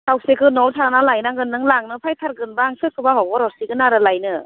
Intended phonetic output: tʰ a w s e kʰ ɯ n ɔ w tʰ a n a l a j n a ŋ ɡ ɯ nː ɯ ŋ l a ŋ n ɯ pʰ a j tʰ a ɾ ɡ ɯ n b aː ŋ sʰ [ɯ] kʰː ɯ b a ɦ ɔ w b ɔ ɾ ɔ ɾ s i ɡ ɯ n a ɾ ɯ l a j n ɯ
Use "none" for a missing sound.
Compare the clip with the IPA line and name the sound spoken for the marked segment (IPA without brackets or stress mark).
ɯ